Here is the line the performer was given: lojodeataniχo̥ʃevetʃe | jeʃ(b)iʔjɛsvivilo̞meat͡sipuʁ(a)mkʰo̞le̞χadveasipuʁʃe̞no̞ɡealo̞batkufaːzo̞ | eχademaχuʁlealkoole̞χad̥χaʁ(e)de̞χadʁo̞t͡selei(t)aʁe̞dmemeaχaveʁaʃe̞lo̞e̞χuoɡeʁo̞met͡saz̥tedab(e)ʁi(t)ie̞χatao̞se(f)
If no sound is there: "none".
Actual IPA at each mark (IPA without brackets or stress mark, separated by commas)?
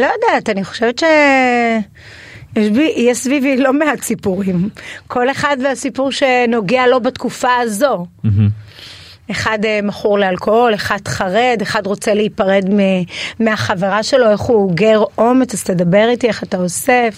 b, i, e, p, e, t, f